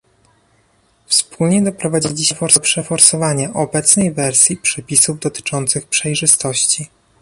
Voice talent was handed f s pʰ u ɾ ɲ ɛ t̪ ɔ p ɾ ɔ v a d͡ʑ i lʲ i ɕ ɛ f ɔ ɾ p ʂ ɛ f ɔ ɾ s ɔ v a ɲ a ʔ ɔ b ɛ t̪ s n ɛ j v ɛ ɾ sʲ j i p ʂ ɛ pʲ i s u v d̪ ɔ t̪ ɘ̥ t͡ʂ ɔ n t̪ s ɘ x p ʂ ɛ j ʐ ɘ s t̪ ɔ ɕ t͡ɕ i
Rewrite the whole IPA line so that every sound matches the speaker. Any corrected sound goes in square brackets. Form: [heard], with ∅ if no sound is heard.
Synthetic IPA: f s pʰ u [l] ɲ ɛ [d̪] ɔ p ɾ ɔ v a d͡ʑ i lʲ i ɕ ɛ f ɔ ɾ p ʂ ɛ f ɔ ɾ s ɔ v a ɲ a ʔ ɔ b ɛ t̪ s n ɛ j v ɛ ɾ sʲ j i p ʂ ɛ pʲ i s u v d̪ ɔ t̪ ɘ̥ t͡ʂ ɔ n t̪ s ɘ x p ʂ ɛ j ʐ ɘ s t̪ ɔ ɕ t͡ɕ i